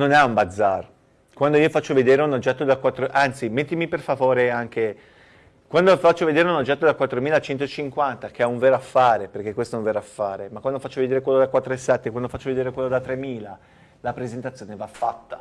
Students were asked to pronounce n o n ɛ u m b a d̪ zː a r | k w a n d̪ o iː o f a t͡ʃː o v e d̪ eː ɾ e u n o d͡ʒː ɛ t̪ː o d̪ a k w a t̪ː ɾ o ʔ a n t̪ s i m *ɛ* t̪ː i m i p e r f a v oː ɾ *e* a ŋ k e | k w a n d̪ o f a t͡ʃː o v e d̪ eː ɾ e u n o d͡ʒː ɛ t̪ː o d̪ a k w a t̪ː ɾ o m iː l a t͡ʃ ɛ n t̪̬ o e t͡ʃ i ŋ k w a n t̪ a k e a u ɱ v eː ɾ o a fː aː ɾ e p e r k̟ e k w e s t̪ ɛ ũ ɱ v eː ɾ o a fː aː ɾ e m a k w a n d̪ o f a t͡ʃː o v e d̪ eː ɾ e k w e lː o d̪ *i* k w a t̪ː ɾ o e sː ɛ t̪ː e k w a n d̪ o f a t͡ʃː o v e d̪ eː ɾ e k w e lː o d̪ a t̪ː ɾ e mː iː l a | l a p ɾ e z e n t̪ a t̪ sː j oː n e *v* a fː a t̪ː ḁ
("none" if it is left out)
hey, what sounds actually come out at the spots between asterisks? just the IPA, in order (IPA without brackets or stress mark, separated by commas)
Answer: e, e, a, v